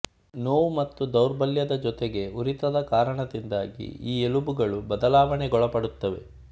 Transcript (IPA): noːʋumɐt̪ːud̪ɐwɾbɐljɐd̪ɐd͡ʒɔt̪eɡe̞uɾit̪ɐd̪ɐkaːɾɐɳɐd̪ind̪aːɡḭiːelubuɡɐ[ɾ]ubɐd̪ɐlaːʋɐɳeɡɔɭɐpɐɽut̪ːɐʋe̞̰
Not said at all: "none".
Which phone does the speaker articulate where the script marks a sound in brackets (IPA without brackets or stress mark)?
ɭ